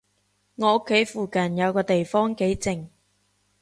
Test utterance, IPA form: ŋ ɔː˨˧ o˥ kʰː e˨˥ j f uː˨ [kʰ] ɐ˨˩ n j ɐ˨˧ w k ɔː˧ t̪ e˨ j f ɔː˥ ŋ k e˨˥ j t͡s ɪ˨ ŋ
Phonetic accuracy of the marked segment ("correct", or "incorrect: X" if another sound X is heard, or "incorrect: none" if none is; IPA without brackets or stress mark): incorrect: k